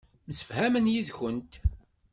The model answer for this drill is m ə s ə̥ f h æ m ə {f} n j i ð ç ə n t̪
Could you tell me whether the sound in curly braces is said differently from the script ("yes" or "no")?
yes